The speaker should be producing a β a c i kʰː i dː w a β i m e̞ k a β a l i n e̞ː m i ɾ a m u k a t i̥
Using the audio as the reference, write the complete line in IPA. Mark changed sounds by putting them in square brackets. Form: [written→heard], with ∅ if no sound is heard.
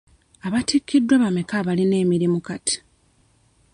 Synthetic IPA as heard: a β a [c→t] i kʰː i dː w a β [i→a] m e̞ k a β a l i n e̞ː m i ɾ [a→i] m u k a t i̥